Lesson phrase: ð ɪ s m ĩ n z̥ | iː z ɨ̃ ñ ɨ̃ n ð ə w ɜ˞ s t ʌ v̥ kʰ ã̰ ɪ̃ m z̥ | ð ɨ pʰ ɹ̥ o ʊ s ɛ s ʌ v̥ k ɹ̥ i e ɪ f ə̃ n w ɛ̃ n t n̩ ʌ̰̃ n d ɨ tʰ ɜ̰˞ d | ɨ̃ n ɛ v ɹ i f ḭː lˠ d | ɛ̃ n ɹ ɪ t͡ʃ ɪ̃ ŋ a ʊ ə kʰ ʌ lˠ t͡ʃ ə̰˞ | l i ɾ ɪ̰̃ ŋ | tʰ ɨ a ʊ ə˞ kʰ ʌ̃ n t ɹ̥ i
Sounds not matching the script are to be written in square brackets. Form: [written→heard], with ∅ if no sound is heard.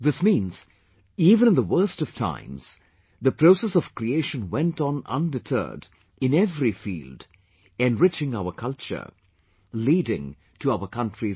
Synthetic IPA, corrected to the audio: ð ɪ s m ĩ n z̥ | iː [z→v] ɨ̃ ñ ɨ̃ n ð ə w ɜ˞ s t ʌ v̥ [kʰ→tʰ] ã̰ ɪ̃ m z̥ | ð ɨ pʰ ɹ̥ o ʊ s ɛ s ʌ v̥ k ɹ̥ i e ɪ [f→ʃ] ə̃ n w ɛ̃ n t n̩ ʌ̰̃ n d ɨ tʰ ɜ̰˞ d | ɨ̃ n ɛ v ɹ i f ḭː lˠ d | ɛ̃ n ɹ ɪ t͡ʃ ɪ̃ ŋ a ʊ ə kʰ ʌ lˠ t͡ʃ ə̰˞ | l i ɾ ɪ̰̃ ŋ | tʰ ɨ a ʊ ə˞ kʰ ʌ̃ n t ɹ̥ i